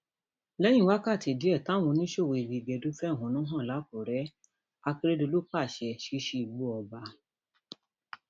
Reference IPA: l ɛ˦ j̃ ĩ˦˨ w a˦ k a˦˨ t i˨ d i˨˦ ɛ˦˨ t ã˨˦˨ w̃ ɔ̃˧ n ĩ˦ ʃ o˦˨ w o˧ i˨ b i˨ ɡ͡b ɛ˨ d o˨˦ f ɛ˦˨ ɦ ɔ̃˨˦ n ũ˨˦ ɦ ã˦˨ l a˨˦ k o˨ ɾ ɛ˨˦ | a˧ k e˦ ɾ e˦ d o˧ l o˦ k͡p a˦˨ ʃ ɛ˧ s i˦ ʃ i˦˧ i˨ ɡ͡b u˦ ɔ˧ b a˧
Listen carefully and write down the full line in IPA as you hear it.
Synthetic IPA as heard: l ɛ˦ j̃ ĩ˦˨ w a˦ k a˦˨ t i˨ d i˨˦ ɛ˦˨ t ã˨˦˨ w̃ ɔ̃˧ n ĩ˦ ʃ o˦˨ w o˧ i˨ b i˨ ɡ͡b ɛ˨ d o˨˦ f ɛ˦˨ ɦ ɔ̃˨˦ n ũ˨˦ ɦ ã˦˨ l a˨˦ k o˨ ɾ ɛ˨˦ | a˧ k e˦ ɾ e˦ d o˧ l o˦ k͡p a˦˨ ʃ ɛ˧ ʃ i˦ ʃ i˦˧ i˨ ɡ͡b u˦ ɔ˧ b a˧

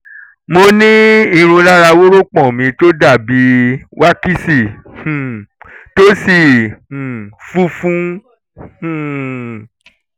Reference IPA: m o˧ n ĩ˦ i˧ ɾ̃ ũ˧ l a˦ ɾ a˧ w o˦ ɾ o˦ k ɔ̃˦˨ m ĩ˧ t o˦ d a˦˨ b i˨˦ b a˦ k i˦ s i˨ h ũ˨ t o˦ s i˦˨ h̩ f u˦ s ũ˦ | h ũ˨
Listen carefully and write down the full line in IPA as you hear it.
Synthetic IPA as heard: m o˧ n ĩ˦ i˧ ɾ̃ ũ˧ l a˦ ɾ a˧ w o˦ ɾ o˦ k͡p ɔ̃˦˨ m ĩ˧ t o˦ d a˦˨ b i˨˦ w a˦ k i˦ s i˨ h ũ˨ t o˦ s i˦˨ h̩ f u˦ f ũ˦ | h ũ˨

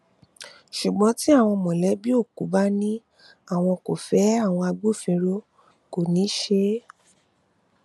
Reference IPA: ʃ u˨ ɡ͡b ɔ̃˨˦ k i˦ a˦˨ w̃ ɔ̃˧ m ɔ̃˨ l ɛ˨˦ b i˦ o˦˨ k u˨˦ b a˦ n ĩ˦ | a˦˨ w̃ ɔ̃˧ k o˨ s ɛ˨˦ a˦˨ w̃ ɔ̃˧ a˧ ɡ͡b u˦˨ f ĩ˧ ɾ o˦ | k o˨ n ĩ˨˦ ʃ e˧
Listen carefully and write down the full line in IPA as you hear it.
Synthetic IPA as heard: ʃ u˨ ɡ͡b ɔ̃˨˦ t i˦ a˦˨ w̃ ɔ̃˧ m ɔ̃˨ l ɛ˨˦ b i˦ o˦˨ k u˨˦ b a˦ n ĩ˦ | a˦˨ w̃ ɔ̃˧ k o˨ f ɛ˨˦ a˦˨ w̃ ɔ̃˧ a˧ ɡ͡b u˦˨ f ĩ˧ ɾ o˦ | k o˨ n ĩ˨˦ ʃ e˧

